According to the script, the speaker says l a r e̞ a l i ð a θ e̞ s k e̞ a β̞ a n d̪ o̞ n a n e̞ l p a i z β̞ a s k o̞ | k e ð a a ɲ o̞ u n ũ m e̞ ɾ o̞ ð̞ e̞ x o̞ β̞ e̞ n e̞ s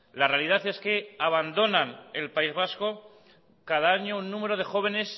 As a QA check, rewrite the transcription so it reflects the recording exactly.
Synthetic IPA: l a r e̞ a l i ð a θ e̞ s k e̞ a β̞ a n d̪ o̞ n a n e̞ l p a i z β̞ a s k o̞ | k a ð a a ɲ o̞ u nː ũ m e̞ ɾ o̞ ð̞ e̞ x o̞ β̞ e̞ n e̞ s